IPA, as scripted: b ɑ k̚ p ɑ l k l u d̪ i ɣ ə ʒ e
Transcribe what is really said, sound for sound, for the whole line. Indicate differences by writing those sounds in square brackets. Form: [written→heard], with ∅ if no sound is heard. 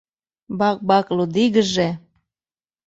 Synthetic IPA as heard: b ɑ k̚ [p→b] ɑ [l→∅] k l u d̪ i ɣ ə ʒ e